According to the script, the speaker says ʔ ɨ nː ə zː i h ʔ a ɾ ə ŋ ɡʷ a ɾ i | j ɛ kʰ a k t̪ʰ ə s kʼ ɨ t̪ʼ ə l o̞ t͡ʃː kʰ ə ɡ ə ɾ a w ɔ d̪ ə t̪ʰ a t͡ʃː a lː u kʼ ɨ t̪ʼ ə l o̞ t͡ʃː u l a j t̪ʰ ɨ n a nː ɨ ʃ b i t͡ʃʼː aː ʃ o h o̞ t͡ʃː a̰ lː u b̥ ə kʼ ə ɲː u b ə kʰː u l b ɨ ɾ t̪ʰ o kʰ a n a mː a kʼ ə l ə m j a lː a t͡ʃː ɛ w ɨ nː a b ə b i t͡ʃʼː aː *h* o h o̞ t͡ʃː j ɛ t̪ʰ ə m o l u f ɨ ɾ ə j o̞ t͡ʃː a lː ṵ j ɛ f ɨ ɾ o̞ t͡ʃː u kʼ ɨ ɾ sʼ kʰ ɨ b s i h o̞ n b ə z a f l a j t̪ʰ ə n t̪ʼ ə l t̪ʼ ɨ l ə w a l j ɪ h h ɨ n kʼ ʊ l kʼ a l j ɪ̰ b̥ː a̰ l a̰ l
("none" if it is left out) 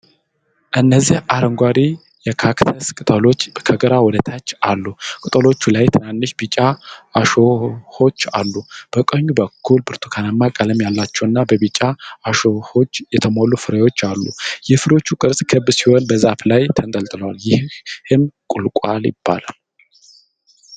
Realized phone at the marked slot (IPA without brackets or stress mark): ʃ